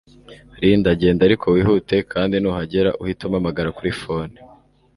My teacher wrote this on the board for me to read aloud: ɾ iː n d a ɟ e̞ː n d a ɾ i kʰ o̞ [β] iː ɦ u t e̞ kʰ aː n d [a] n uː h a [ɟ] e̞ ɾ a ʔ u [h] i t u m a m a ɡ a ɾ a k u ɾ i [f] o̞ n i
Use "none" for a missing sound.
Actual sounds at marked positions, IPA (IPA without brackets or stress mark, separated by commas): w, i, ɟ, h, f